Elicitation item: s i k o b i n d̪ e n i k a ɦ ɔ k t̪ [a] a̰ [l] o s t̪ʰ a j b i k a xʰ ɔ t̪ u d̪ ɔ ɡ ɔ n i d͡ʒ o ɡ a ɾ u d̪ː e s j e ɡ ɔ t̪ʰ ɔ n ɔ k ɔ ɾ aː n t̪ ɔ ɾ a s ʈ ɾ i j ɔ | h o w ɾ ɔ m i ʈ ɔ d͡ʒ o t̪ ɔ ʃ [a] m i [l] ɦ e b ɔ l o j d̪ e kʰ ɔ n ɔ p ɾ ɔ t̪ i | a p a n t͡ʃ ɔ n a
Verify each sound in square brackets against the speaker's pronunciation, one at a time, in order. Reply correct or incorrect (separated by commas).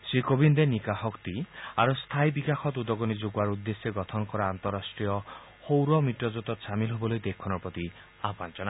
incorrect, incorrect, correct, correct